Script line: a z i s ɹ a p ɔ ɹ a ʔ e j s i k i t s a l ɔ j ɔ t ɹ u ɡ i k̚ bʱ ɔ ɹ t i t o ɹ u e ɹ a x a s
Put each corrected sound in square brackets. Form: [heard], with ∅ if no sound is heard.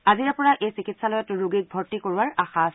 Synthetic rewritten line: a z i [∅] ɹ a p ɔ ɹ a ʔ e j s i k i t s a l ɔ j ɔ t ɹ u ɡ i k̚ bʱ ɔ ɹ t i [k] o ɹ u [a] ɹ a x a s

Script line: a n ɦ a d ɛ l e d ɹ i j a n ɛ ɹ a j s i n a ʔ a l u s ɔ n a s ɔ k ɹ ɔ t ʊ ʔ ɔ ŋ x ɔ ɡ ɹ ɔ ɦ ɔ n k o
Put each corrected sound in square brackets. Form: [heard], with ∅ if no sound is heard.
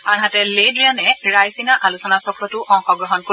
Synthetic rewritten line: a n ɦ a [t] ɛ l e d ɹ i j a n ɛ ɹ a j s i n a ʔ a l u s ɔ n a s ɔ k ɹ ɔ t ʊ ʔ ɔ ŋ x ɔ ɡ ɹ ɔ ɦ ɔ n k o

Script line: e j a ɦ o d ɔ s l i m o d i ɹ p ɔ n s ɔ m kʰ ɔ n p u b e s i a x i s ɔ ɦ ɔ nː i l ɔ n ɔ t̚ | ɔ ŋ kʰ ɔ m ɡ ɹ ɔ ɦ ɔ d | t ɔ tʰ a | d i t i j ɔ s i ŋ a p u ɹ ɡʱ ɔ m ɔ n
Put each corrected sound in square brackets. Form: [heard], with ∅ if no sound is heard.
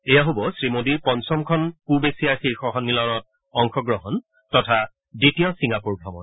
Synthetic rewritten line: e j a ɦ o [b] ɔ s [ɹ] i m o d i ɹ p ɔ n s ɔ m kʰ ɔ n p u b e s i a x i [x] ɔ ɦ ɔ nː i l ɔ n ɔ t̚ | ɔ ŋ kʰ ɔ [∅] ɡ ɹ ɔ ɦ ɔ [n] | t ɔ tʰ a | d i t i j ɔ s i ŋ a p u ɹ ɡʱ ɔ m ɔ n

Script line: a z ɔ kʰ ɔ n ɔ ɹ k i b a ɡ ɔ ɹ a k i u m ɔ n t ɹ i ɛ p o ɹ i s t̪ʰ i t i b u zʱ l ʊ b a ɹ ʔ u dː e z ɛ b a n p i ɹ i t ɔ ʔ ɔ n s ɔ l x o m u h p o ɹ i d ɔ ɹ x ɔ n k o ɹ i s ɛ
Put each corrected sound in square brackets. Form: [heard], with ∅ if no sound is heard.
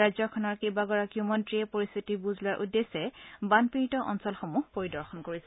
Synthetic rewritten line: a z ɔ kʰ ɔ n ɔ ɹ k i b a ɡ ɔ ɹ a k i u m ɔ n t ɹ i ɛ p o ɹ i s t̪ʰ i t i b u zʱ l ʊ [∅] a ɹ ʔ u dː e [s] ɛ b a n p i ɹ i t ɔ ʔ ɔ n s ɔ l x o m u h p o ɹ i d ɔ ɹ x ɔ n k o ɹ i s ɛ

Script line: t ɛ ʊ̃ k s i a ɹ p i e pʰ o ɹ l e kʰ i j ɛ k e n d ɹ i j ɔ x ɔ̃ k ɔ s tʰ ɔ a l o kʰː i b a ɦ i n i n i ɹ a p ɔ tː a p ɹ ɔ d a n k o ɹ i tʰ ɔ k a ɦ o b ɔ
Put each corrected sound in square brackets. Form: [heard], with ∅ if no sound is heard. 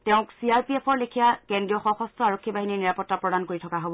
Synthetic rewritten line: t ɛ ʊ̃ k s i a ɹ p i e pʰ [ɔ] ɹ l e kʰ i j [a] k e n d ɹ i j ɔ x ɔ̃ [x] ɔ s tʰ ɔ a [ɹ] o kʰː i b a ɦ i n i n i ɹ a p ɔ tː a p ɹ ɔ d a n k o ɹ i tʰ ɔ k a ɦ o b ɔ

